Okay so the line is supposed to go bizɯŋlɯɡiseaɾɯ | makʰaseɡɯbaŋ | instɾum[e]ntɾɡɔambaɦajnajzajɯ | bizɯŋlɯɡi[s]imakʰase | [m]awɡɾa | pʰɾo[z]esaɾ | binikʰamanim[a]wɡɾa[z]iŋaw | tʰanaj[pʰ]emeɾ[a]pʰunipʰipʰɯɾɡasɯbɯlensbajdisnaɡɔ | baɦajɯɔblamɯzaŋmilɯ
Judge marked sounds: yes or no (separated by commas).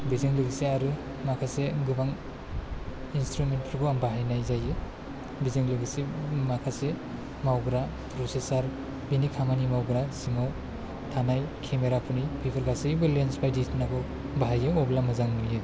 yes, yes, yes, no, yes, no, no, yes